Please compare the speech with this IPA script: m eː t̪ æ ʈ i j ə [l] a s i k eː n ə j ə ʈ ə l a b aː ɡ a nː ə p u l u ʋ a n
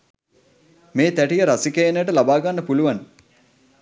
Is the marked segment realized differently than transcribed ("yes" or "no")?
yes